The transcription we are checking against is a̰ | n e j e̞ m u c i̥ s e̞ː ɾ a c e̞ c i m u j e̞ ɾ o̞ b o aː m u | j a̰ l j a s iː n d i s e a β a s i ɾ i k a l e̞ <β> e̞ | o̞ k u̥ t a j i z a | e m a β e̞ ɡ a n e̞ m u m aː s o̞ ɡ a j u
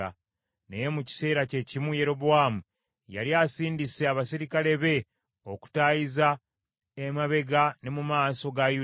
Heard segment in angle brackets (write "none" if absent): β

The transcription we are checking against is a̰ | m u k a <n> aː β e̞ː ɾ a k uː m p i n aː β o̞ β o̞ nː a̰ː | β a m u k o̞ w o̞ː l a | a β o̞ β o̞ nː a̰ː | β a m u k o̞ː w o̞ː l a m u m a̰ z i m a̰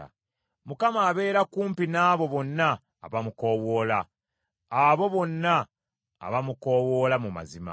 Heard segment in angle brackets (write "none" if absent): m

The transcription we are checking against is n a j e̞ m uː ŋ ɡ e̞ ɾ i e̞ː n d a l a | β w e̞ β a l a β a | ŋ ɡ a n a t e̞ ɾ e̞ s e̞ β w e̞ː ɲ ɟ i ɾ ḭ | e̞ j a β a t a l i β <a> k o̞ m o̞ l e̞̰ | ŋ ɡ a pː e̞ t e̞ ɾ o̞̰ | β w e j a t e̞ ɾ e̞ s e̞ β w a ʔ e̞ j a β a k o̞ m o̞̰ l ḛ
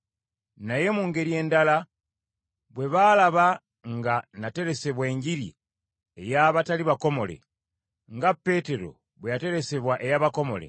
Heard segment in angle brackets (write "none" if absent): a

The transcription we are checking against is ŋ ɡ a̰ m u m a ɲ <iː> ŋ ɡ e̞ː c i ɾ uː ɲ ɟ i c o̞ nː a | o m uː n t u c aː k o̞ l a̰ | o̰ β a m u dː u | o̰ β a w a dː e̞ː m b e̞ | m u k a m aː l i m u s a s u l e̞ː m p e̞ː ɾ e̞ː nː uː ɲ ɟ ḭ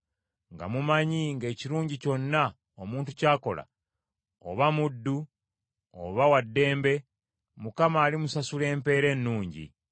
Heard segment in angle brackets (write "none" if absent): i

